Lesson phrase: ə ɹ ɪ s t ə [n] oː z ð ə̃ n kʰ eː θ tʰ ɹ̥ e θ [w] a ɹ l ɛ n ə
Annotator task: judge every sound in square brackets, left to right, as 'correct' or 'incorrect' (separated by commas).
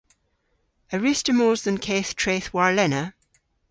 incorrect, correct